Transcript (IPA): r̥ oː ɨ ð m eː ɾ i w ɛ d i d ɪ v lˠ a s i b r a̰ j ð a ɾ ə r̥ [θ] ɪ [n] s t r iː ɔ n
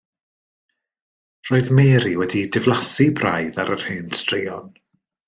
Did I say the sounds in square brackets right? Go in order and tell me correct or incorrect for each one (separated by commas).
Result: incorrect, correct